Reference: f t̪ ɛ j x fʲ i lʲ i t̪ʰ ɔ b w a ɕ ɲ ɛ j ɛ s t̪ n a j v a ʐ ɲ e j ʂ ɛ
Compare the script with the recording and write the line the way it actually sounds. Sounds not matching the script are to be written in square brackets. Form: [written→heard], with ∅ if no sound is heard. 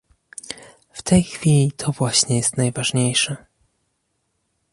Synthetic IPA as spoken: f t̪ ɛ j x fʲ i lʲ i t̪ʰ ɔ [b→v] w a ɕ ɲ ɛ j ɛ s t̪ n a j v a ʐ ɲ e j ʂ ɛ

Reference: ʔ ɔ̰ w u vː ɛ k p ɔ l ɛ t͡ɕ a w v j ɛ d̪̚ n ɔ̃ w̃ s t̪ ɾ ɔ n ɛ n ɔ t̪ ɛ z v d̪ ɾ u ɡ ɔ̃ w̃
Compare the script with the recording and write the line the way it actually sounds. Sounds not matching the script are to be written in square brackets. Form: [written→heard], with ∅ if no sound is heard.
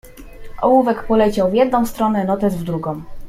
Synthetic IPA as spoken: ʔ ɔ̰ w u [vː→v] ɛ k p ɔ l ɛ t͡ɕ a w v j ɛ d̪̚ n ɔ̃ w̃ s t̪ ɾ ɔ n ɛ n ɔ t̪ ɛ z v d̪ ɾ u ɡ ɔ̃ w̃

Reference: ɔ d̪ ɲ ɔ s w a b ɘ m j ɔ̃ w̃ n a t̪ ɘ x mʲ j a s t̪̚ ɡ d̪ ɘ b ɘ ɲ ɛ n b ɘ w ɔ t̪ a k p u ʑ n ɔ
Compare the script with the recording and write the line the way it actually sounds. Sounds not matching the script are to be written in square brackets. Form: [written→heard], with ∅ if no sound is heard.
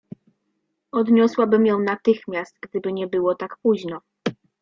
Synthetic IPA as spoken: ɔ d̪ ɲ ɔ s w a b ɘ m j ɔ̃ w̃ n a t̪ ɘ x mʲ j a s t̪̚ ɡ d̪ ɘ b ɘ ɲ ɛ [n→∅] b ɘ w ɔ t̪ a k p u ʑ n ɔ

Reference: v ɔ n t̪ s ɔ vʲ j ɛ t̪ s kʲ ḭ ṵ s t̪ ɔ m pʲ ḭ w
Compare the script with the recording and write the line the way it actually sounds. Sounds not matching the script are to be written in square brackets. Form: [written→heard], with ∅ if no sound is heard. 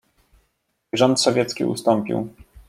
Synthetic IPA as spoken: [v→ʐ] ɔ n t̪ s ɔ vʲ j ɛ t̪ s kʲ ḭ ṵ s t̪ ɔ m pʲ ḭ w

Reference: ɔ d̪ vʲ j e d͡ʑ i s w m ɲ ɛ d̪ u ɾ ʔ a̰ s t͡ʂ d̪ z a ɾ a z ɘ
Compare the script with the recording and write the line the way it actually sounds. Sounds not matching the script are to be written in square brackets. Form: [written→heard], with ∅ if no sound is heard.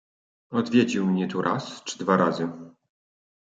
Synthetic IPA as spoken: ɔ d̪ vʲ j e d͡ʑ i [s→∅] w m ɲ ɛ [d̪→t̪] u ɾ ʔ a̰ s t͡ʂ d̪ [z→v] a ɾ a z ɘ

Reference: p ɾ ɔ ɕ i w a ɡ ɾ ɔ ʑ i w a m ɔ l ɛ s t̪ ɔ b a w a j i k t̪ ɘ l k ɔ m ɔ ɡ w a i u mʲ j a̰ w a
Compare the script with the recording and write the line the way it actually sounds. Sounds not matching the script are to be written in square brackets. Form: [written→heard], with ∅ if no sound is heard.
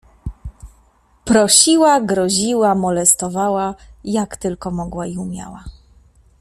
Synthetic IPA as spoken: p ɾ ɔ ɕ i w a ɡ ɾ ɔ ʑ i w a m ɔ l ɛ s t̪ ɔ [b→v] a w a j [i→a] k t̪ ɘ l k ɔ m ɔ ɡ w a i u mʲ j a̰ w a

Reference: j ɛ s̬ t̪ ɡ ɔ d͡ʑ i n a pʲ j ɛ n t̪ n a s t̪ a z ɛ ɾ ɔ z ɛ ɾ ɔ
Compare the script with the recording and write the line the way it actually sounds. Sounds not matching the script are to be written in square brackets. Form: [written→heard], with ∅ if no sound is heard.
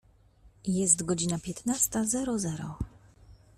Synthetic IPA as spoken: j ɛ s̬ t̪ ɡ ɔ d͡ʑ i n a pʲ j ɛ [n→∅] t̪ n a s t̪ a z ɛ ɾ ɔ z ɛ ɾ ɔ

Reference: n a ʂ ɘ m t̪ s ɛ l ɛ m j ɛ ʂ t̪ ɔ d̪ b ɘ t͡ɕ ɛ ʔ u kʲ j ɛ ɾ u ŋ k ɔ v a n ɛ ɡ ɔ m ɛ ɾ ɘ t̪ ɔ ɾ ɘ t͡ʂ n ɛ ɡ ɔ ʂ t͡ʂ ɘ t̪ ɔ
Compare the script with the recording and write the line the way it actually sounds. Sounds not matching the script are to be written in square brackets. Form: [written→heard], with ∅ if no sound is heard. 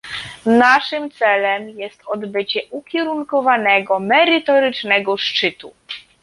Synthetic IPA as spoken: n a ʂ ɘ m t̪ s ɛ l ɛ m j ɛ [ʂ→s] t̪ ɔ d̪ b ɘ t͡ɕ ɛ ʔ u kʲ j ɛ ɾ u ŋ k ɔ v a n ɛ ɡ ɔ m ɛ ɾ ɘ t̪ ɔ ɾ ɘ t͡ʂ n ɛ ɡ ɔ ʂ t͡ʂ ɘ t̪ [ɔ→u]

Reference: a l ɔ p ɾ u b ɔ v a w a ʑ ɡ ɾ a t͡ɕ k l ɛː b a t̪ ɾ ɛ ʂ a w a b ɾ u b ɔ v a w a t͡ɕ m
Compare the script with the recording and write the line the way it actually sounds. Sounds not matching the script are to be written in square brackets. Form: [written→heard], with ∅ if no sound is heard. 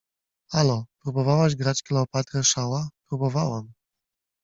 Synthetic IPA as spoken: a l ɔ p ɾ u b ɔ v a w a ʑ ɡ ɾ a t͡ɕ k l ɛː [b→p] a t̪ ɾ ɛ ʂ a w a [b→p] ɾ u b ɔ v a w a [t͡ɕ→∅] m

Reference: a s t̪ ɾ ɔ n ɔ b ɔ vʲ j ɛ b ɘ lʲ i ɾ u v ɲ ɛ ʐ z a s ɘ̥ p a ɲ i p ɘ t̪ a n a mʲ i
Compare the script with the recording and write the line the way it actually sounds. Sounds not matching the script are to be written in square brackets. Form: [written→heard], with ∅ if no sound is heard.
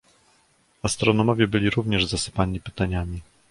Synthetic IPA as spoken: a s t̪ ɾ ɔ n ɔ [b→m] ɔ vʲ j ɛ b ɘ lʲ i ɾ u v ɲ ɛ ʐ z a s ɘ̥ p a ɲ i p ɘ t̪ a [n→ɲ] a mʲ i

